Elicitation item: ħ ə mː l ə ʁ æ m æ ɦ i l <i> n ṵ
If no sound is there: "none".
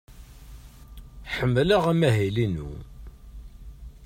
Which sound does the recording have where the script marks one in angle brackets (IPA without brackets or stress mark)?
i